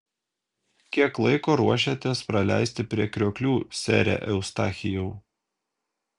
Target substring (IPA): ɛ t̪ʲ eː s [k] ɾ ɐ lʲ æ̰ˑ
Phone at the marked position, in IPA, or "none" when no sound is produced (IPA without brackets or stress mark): p